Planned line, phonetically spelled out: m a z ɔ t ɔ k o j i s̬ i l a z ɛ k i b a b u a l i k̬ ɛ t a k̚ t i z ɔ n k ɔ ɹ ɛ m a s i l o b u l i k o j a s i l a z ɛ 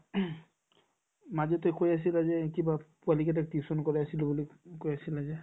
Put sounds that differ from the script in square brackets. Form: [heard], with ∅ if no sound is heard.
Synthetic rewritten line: m a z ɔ t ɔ k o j [a] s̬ i l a z ɛ k i b a [p] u a l i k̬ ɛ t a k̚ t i [s] ɔ n k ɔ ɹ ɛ [∅] a s i l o b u l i k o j a s i l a z ɛ